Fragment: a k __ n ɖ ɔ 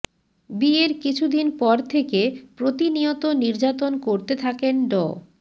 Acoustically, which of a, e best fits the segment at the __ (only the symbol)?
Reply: e